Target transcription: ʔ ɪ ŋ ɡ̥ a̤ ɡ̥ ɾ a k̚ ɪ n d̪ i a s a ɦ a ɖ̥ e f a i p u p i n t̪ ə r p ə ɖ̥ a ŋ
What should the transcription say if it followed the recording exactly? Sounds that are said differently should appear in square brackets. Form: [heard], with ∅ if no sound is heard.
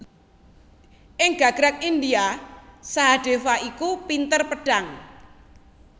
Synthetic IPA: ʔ ɪ ŋ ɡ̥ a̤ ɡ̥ ɾ a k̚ [i] n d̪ i a s a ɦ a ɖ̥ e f a i [k] u p i n t̪ ə r p ə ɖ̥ a ŋ